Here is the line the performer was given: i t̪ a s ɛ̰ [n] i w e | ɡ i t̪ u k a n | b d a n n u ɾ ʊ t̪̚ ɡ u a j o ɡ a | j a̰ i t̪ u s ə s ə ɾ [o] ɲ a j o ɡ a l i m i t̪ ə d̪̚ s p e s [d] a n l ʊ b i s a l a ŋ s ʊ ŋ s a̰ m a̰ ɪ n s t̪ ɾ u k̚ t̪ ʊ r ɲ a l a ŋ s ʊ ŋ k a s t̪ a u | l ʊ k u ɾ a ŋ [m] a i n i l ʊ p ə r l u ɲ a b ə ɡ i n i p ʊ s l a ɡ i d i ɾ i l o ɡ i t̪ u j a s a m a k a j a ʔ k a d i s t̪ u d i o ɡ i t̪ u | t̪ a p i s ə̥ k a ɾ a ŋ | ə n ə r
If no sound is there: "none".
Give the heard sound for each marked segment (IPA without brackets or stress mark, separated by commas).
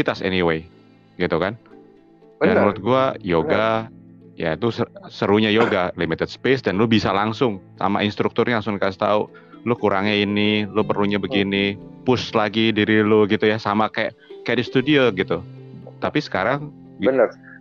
n, u, d, ɲ